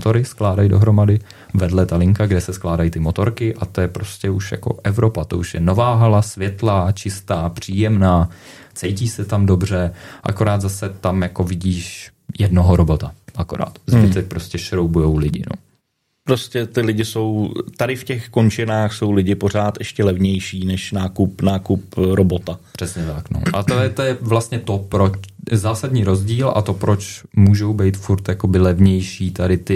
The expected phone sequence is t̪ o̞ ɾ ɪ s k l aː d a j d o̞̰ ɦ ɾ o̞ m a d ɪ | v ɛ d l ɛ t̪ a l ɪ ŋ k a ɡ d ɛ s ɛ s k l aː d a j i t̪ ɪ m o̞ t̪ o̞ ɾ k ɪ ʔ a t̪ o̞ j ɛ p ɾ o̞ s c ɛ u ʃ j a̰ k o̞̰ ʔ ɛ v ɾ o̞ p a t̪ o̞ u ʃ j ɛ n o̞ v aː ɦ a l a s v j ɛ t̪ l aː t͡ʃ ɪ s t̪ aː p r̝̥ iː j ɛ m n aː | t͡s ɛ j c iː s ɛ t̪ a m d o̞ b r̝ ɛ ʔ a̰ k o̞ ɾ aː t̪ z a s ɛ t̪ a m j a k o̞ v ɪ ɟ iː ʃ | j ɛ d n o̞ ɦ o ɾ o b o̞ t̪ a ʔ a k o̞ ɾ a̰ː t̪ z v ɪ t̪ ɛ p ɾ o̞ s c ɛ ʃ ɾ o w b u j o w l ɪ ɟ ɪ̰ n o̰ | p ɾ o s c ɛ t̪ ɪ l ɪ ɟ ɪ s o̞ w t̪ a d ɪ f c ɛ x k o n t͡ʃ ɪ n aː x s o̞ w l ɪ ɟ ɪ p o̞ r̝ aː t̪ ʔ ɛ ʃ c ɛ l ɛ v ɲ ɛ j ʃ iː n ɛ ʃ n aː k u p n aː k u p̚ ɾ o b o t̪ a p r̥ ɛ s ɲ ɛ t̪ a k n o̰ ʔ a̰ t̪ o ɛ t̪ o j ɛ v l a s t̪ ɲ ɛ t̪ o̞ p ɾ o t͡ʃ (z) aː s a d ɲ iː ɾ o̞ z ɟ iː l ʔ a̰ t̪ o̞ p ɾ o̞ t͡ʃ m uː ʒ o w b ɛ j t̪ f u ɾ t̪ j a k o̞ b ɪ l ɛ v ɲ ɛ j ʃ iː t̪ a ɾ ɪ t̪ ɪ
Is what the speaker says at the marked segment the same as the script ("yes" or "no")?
yes